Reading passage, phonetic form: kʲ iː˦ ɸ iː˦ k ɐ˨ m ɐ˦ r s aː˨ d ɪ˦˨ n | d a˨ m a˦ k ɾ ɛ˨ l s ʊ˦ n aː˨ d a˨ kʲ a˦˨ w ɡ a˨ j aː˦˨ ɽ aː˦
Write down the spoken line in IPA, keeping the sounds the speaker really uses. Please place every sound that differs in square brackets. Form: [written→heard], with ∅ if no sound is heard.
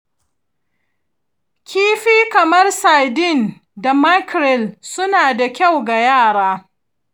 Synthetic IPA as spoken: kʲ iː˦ ɸ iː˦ k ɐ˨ m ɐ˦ r s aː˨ d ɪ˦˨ n | d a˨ m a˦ k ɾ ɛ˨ l s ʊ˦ n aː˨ d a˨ kʲ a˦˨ w ɡ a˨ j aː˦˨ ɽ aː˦